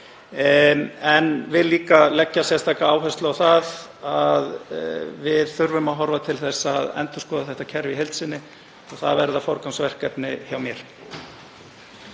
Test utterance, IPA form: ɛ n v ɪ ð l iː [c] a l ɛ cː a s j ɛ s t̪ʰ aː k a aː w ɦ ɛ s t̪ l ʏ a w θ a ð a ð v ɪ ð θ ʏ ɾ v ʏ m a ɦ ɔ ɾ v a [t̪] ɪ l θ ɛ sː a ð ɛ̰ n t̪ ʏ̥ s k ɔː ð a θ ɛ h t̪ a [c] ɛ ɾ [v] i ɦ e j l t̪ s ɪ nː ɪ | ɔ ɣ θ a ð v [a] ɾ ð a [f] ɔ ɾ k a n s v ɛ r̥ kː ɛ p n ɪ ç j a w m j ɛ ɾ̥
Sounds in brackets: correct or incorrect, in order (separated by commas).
incorrect, incorrect, incorrect, correct, incorrect, correct